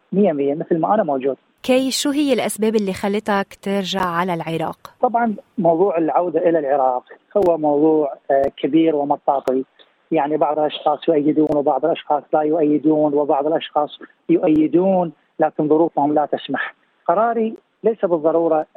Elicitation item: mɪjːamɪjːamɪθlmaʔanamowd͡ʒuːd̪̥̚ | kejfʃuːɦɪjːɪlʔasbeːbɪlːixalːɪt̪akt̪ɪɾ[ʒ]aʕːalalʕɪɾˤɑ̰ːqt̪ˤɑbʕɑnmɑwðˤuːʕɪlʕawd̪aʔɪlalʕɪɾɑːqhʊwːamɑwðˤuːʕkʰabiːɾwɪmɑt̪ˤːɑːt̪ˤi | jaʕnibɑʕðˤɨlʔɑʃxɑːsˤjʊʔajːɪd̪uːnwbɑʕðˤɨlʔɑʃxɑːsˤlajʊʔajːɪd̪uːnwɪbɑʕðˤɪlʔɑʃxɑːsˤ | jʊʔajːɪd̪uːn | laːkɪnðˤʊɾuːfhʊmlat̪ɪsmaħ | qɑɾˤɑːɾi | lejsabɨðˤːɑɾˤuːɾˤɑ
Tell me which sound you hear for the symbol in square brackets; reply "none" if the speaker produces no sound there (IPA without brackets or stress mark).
ʒ